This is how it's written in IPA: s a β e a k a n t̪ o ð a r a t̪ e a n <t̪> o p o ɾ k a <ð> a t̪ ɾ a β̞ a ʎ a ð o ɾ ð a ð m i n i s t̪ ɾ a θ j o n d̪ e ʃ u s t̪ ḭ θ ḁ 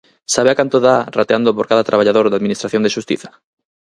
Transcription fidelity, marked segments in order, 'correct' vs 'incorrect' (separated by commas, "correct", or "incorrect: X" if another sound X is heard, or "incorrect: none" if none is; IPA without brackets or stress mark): incorrect: d̪, correct